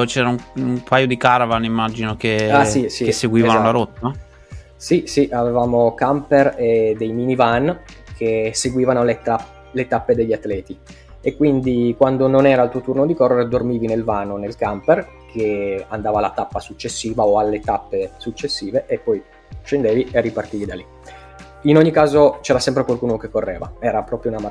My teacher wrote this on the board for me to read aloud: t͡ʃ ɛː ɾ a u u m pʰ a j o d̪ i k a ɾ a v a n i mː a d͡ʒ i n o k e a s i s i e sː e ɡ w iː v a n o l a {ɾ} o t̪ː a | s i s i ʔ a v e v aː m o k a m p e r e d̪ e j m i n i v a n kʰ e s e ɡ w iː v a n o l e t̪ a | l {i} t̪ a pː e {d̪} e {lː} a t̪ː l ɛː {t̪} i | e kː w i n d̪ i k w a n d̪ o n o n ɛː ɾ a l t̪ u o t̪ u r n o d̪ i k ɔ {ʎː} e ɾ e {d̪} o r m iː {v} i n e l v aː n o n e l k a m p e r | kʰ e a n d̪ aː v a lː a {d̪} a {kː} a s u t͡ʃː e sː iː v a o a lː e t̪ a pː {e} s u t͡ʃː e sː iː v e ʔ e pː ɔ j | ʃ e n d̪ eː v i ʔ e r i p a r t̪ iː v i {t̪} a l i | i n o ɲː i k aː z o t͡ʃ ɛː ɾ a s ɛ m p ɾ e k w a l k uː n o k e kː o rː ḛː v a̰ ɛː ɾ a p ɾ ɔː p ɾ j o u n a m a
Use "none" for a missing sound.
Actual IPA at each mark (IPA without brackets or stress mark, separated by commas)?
ɾ, e, d̪, ʎː, t̪, rː, d̪, v, t̪, pː, e, d̪